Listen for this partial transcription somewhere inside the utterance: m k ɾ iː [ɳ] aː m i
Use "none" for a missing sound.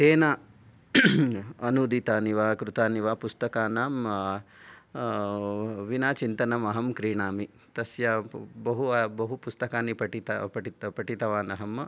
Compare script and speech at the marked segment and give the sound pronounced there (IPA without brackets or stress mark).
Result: ɳ